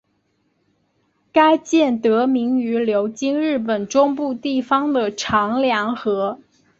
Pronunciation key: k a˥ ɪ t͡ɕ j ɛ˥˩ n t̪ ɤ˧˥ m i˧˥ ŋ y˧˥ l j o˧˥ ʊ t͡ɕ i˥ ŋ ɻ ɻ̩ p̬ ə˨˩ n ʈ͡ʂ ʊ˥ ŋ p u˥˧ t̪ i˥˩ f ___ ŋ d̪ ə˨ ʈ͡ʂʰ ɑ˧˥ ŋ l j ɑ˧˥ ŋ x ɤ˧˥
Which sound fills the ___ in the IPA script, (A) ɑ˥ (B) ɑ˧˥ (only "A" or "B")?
A